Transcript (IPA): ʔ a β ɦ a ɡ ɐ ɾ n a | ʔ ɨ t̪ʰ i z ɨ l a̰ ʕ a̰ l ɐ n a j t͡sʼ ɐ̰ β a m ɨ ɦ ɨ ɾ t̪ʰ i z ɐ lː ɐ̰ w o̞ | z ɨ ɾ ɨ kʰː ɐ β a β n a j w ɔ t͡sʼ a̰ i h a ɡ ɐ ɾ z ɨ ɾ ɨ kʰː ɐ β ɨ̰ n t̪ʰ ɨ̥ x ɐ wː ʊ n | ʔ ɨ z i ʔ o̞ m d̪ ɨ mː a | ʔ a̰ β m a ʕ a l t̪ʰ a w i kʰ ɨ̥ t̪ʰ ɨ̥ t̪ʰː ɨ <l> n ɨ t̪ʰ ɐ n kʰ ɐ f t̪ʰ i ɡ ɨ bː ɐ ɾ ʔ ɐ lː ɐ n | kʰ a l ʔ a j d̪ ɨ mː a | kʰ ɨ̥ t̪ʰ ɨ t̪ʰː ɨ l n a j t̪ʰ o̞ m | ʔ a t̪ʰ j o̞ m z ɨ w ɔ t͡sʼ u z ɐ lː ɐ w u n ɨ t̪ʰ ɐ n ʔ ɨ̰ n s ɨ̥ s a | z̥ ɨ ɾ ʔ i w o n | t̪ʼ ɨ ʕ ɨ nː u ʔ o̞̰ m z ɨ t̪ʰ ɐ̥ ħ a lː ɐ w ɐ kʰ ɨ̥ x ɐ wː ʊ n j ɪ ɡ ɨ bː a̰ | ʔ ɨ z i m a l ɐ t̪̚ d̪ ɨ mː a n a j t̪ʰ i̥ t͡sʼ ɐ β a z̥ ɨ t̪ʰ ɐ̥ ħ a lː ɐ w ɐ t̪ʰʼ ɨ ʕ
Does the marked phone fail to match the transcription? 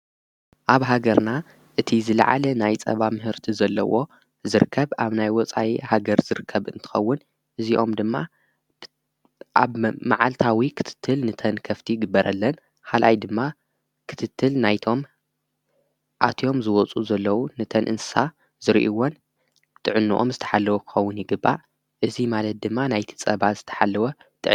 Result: no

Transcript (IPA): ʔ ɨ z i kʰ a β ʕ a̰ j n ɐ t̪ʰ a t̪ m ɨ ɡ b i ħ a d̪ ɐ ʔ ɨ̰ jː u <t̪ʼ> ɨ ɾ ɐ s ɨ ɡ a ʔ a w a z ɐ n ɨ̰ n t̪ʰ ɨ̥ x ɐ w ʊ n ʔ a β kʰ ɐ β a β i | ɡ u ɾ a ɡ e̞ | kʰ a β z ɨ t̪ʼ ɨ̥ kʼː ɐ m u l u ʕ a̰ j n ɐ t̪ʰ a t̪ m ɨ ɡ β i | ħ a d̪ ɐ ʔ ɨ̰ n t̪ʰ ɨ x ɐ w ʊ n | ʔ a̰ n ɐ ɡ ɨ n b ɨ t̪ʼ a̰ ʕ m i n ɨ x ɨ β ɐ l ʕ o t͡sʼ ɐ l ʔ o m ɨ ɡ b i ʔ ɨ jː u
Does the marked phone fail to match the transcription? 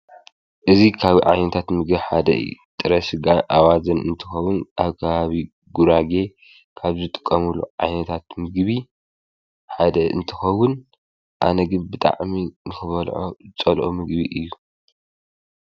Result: no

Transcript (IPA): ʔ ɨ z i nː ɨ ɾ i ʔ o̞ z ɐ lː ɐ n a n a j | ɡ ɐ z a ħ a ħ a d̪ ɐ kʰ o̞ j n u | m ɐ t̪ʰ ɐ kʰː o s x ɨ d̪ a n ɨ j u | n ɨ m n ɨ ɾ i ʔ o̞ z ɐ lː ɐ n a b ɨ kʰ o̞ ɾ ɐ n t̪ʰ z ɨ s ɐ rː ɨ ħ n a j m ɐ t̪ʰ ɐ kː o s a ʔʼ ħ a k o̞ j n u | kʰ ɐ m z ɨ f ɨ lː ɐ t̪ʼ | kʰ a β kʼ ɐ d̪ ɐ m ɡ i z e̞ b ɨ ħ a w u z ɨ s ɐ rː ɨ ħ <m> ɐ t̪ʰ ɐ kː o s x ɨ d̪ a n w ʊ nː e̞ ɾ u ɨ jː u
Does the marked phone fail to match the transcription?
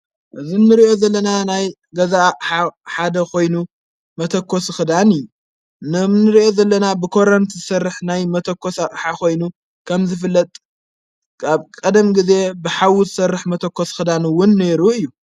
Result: no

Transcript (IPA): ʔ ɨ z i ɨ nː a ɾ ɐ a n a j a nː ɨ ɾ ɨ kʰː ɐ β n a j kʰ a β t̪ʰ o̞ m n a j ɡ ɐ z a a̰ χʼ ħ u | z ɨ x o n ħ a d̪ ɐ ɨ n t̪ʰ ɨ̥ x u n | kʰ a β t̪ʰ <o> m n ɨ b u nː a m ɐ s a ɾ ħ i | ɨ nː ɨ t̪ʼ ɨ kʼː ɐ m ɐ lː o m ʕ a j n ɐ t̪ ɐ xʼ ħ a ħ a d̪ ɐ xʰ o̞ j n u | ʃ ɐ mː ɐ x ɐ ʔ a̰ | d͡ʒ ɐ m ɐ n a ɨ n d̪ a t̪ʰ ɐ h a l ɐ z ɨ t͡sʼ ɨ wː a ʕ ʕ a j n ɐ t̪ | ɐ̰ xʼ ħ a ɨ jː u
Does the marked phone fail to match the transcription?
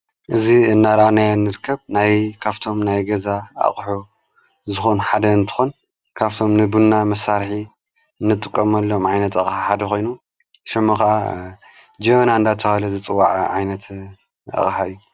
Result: no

